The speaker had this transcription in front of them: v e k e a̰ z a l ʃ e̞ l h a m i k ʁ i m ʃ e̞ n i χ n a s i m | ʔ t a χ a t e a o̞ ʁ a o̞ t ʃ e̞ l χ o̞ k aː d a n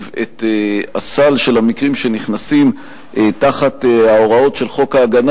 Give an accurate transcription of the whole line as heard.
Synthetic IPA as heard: v e t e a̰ s a l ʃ e̞ l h a m i k ʁ i m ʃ e̞ n i χ n a s i m | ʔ t a χ a t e a o̞ ʁ a o̞ t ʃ e̞ l χ o̞ k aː ɡ a n